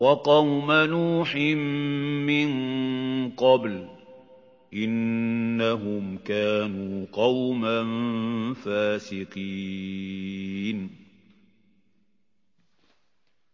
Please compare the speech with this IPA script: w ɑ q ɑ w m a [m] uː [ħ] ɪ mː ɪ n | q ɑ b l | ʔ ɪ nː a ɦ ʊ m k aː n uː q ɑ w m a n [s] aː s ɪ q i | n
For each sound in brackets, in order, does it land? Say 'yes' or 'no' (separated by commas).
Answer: no, yes, no